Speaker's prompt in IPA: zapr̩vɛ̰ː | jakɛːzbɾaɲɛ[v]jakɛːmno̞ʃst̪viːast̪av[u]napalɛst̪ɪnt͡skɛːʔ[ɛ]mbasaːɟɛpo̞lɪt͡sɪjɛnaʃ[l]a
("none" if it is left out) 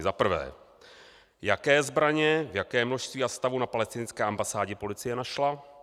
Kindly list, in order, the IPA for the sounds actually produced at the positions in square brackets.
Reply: v, u, a, l

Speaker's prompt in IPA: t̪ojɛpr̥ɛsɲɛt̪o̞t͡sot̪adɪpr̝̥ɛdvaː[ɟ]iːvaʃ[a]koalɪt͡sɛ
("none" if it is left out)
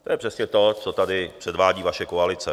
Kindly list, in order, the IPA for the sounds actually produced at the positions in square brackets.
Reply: ɟ, ɛ

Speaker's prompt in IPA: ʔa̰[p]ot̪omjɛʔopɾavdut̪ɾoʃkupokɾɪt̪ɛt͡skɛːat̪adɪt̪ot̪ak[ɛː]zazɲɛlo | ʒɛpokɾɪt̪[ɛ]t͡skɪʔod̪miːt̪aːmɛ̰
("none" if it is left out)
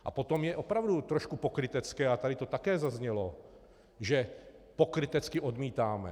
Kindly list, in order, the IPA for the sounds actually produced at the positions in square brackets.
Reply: p, ɛː, ɛ

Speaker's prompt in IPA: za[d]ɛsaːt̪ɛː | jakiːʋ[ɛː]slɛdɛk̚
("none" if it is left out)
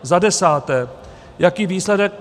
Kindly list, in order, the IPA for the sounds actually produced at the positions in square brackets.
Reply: d, iː

